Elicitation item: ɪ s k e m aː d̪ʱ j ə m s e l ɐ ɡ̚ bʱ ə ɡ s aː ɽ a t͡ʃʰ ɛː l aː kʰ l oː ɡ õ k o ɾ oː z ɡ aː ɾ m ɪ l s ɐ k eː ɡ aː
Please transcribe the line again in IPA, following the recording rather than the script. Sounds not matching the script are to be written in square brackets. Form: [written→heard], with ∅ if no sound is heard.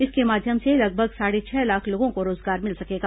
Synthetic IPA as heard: ɪ s k e m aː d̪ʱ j ə m s e l ɐ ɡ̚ bʱ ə ɡ s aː ɽ [a→e] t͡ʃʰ ɛː l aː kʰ l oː ɡ õ k o ɾ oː z ɡ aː ɾ m ɪ l s ɐ k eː ɡ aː